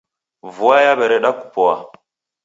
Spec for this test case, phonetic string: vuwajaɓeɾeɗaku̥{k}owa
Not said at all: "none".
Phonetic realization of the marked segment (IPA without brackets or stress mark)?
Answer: p